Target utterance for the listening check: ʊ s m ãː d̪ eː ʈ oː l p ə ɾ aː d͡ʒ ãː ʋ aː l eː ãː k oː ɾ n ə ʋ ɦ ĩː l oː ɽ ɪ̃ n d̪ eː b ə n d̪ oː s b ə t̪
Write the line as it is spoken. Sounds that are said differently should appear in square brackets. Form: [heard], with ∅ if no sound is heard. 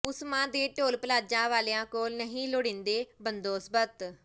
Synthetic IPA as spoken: ʊ s m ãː d̪ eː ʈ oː l p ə [l] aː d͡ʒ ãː ʋ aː l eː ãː k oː [l] n ə [∅] ɦ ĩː l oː ɽ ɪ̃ n d̪ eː b ə n d̪ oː s b ə t̪

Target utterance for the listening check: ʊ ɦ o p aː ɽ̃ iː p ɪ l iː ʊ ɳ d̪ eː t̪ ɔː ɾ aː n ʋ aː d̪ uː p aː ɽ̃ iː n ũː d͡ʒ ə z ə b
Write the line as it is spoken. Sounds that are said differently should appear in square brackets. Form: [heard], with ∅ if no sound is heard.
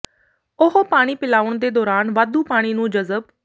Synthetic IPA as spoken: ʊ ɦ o p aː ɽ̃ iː p ɪ l [aː] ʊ ɳ d̪ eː [d̪] ɔː ɾ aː n ʋ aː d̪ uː p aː ɽ̃ iː n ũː d͡ʒ ə z ə b

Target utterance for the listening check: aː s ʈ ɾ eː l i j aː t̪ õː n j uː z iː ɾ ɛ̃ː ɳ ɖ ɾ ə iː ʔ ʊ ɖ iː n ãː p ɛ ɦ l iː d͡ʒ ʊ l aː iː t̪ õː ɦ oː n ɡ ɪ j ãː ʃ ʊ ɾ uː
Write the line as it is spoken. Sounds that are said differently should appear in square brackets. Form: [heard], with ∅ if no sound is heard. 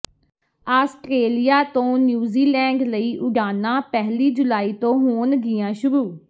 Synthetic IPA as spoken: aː s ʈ ɾ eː l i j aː t̪ õː n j uː z iː [l] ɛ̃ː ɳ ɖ [l] ə iː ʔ ʊ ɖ [aː] n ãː p ɛ ɦ l iː d͡ʒ ʊ l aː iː t̪ õː ɦ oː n ɡ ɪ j ãː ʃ ʊ ɾ uː

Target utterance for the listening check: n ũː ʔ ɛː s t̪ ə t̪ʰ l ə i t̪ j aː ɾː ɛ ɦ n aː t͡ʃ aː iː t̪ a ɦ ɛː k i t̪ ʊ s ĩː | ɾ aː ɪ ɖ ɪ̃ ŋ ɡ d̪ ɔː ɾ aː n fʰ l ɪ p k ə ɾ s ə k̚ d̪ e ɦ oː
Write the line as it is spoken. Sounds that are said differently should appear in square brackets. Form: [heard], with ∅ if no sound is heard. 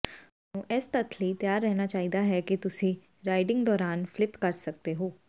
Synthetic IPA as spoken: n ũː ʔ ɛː s t̪ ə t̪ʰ l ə i t̪ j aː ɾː ɛ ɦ n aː t͡ʃ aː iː [d̪] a ɦ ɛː k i t̪ ʊ s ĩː | ɾ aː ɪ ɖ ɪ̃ ŋ ɡ d̪ ɔː ɾ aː n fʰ l ɪ p k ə ɾ s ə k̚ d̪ e ɦ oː

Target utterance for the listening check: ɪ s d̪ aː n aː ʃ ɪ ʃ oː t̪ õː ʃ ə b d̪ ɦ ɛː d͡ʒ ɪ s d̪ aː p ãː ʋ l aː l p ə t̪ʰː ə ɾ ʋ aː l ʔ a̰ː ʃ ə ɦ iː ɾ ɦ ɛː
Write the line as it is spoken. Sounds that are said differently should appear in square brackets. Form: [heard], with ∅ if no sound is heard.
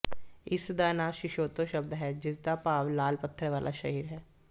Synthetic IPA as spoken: ɪ s d̪ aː n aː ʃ ɪ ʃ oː t̪ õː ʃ ə b d̪ ɦ ɛː d͡ʒ ɪ s d̪ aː p [aː] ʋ l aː l p ə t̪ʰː ə ɾ ʋ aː l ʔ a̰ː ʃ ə ɦ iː ɾ ɦ ɛː

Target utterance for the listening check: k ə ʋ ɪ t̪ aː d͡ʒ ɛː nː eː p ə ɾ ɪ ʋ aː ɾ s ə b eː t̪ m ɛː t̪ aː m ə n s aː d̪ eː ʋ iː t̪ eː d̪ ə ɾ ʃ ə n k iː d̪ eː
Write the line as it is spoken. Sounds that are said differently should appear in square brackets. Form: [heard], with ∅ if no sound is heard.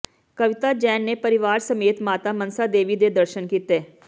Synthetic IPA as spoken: k ə ʋ ɪ t̪ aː d͡ʒ ɛː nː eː p ə ɾ ɪ ʋ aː ɾ s ə [m] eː t̪ m [aː] t̪ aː m ə n s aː d̪ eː ʋ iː [d̪] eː d̪ ə ɾ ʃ ə n k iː [t̪] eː

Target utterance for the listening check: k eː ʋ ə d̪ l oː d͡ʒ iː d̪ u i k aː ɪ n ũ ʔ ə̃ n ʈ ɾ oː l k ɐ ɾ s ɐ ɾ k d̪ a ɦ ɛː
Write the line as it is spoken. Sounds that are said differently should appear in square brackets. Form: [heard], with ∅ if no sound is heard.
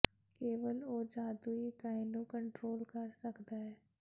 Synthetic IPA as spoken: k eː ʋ ə [∅] l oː d͡ʒ [aː] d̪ u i k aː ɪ n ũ [k] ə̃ [ɳ] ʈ ɾ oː l k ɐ ɾ s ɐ [∅] k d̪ a ɦ ɛː

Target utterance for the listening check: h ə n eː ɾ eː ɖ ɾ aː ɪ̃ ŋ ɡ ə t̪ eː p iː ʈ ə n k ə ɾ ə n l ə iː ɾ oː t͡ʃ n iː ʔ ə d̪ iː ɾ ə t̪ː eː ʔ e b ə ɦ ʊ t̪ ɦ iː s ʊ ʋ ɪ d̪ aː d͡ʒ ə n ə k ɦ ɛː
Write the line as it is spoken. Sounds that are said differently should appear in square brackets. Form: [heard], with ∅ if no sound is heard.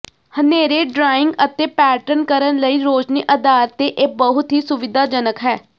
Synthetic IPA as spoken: h ə n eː ɾ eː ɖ ɾ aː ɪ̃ ŋ ɡ ə t̪ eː p [ɛː] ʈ ə n k ə ɾ ə n l ə iː ɾ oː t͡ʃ n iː ʔ ə d̪ [aː] ɾ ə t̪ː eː ʔ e b ə ɦ ʊ t̪ ɦ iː s ʊ ʋ ɪ d̪ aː d͡ʒ ə n ə k ɦ ɛː

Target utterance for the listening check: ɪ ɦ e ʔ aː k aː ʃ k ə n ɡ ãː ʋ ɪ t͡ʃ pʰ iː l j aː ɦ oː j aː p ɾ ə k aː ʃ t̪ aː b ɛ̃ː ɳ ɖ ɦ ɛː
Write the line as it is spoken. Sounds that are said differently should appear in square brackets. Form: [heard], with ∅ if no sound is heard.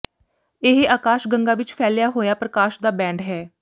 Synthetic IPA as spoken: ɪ ɦ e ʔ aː k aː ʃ [ɡ] ə [ŋ] ɡ [aː] ʋ ɪ t͡ʃ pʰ [ɛː] l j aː ɦ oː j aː p ɾ ə k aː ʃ [d̪] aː b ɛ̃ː ɳ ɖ ɦ ɛː

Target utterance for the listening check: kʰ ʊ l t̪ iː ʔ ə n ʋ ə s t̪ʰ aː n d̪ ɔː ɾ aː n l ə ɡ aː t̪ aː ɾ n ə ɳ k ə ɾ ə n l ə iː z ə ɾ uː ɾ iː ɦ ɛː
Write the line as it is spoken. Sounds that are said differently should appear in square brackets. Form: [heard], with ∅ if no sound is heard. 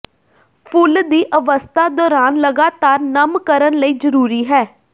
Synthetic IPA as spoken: [pʰ] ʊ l [d̪] iː ʔ ə [∅] ʋ ə s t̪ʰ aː [∅] d̪ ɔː ɾ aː n l ə ɡ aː t̪ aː ɾ n ə [m] k ə ɾ ə n l ə iː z ə ɾ uː ɾ iː ɦ ɛː

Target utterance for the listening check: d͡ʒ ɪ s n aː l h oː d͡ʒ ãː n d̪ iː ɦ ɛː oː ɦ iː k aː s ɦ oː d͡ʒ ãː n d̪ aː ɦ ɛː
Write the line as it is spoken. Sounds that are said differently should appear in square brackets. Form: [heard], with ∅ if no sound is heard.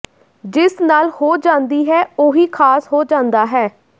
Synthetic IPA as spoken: d͡ʒ ɪ s n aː l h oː d͡ʒ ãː n d̪ iː ɦ ɛː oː ɦ iː [kʰ] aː s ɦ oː d͡ʒ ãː n d̪ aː ɦ ɛː

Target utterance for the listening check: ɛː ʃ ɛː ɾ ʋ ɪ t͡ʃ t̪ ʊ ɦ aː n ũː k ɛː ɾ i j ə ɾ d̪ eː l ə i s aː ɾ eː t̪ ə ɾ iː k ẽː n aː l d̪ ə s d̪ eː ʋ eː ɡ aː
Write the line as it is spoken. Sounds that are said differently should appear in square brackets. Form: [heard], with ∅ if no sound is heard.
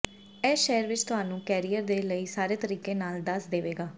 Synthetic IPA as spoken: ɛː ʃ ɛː ɾ ʋ ɪ t͡ʃ t̪ ʊ ɦ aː n ũː k ɛː ɾ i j ə ɾ d̪ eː l ə [iː] s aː ɾ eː t̪ ə ɾ iː k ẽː n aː l d̪ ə s d̪ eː ʋ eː ɡ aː

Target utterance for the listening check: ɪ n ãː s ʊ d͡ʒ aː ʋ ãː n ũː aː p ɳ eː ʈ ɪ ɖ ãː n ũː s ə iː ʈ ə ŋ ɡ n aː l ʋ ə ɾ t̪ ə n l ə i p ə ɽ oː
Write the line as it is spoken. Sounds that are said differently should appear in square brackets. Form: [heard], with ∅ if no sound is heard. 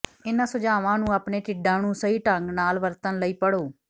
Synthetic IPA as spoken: ɪ n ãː s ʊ d͡ʒ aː ʋ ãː n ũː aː p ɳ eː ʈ ɪ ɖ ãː n ũː s ə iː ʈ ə ŋ ɡ n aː l ʋ ə ɾ t̪ ə n l ə [iː] p ə ɽ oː

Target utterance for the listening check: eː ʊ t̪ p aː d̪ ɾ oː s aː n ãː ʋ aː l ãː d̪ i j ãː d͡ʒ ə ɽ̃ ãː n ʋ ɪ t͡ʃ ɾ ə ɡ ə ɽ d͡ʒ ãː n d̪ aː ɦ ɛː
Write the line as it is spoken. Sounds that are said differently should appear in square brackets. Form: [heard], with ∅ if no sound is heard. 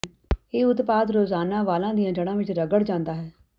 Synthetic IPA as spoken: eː ʊ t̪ p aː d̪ ɾ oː [z] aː n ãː ʋ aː l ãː d̪ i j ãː d͡ʒ ə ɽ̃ ãː [∅] ʋ ɪ t͡ʃ ɾ ə ɡ ə ɽ d͡ʒ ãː n d̪ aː ɦ ɛː

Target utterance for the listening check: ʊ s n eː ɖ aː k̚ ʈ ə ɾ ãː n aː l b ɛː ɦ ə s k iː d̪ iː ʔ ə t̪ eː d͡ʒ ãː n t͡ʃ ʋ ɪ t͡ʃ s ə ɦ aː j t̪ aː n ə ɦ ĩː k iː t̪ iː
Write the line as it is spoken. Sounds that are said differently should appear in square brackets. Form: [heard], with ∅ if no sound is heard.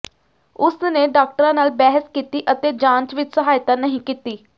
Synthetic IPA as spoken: ʊ s n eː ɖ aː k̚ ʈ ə ɾ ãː n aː l b ɛː ɦ ə s k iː [t̪] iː ʔ ə t̪ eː d͡ʒ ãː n t͡ʃ ʋ ɪ t͡ʃ s ə ɦ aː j t̪ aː n ə ɦ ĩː k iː t̪ iː

